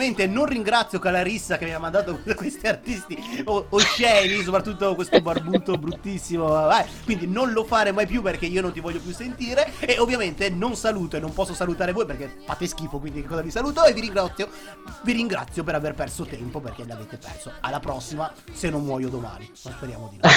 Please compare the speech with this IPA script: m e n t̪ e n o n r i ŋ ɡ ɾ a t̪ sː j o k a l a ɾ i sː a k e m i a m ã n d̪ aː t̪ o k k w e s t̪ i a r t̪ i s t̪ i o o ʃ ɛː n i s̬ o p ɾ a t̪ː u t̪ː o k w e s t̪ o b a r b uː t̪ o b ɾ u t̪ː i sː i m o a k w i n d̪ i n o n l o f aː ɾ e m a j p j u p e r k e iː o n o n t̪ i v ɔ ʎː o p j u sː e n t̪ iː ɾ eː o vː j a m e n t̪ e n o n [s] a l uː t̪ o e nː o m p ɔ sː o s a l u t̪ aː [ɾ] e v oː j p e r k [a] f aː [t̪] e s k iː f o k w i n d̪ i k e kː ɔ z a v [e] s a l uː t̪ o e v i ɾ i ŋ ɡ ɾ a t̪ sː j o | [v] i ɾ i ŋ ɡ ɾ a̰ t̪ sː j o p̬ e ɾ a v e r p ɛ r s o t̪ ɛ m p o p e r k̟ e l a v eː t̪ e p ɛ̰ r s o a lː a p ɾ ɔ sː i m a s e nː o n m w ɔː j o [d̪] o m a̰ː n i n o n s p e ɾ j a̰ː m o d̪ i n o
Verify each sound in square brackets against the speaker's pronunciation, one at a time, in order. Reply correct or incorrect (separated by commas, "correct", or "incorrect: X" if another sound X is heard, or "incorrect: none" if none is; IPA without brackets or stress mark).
correct, correct, incorrect: e, correct, incorrect: i, correct, correct